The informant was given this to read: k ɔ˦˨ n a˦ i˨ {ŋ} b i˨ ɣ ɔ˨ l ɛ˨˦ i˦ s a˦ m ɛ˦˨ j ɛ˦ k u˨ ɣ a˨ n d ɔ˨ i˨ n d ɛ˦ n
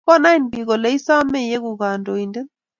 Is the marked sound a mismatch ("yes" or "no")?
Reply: yes